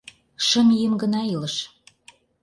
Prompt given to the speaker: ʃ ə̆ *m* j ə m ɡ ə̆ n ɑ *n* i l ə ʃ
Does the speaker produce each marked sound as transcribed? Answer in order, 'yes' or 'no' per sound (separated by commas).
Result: yes, no